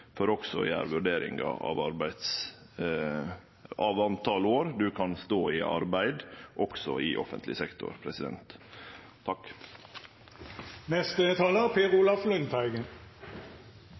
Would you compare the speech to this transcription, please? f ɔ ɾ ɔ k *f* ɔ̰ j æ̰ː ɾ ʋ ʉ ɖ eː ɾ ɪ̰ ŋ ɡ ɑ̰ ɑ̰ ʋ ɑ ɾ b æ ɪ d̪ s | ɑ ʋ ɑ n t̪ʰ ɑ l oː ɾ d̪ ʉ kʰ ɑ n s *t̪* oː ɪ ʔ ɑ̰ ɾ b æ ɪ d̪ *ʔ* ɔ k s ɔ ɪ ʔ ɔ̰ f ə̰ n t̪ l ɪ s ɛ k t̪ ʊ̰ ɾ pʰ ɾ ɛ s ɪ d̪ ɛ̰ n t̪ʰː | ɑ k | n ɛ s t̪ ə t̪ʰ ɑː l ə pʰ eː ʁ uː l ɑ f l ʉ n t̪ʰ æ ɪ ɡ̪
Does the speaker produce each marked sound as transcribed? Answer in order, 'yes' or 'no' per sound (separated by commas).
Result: no, yes, yes